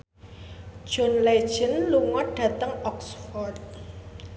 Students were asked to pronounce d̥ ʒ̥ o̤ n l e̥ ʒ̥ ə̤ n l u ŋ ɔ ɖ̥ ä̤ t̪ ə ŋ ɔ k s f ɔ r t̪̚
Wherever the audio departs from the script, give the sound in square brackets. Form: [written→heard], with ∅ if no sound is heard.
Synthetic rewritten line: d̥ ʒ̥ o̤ n l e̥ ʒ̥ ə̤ n l u ŋ ɔ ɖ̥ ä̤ t̪ ə ŋ ɔ k s f ɔ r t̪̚